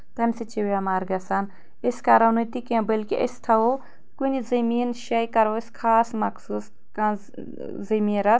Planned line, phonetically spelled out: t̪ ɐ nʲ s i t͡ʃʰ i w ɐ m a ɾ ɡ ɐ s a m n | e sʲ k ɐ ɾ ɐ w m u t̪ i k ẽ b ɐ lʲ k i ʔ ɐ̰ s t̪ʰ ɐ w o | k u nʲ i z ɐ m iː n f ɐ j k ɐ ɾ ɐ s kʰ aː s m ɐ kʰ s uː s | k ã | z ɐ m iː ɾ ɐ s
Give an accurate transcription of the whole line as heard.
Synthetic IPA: t̪ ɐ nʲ s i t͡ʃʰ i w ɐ m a ɾ ɡ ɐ s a n | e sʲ k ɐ ɾ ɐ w n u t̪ i k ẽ b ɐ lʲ k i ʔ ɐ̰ s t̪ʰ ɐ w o | k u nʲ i z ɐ m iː n ʃ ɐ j k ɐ ɾ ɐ s kʰ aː s m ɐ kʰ s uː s | k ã | z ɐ m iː ɾ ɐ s